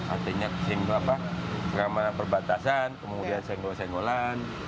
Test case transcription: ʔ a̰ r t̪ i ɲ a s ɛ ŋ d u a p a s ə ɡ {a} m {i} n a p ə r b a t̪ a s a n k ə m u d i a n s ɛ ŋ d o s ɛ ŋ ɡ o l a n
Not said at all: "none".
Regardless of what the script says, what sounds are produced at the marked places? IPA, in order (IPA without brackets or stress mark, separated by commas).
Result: a, a